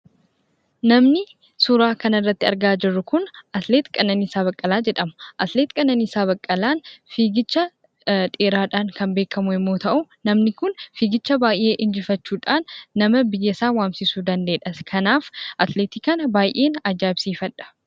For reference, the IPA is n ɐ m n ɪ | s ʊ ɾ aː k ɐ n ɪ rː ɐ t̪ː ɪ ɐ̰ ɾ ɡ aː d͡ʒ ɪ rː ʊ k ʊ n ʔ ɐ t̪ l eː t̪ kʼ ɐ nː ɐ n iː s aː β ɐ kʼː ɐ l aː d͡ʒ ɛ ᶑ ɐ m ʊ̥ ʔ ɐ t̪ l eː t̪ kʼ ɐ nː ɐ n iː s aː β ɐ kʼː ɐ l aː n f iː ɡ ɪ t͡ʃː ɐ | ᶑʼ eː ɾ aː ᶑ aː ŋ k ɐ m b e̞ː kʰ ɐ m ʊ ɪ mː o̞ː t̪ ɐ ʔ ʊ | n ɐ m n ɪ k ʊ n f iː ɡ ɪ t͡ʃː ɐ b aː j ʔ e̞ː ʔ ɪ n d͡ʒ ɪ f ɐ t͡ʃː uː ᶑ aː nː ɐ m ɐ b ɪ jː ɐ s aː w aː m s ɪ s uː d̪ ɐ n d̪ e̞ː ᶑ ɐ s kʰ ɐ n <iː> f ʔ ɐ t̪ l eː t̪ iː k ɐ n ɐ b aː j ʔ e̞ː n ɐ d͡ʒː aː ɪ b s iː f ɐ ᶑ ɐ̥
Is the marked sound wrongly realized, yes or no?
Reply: yes